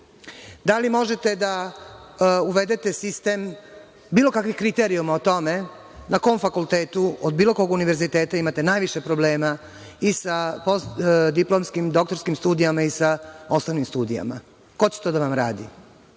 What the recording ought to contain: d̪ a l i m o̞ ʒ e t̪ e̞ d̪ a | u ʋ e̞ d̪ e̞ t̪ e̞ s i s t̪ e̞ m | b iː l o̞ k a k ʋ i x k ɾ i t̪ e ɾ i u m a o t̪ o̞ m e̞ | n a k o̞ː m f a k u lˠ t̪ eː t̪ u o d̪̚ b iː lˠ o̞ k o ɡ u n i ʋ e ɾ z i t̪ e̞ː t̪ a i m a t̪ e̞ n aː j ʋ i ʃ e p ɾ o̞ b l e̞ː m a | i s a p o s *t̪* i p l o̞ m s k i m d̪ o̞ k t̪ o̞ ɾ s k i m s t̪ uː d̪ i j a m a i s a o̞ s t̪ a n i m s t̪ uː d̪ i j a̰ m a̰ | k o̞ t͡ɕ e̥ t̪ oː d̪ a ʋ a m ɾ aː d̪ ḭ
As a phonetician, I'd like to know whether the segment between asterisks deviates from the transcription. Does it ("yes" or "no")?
yes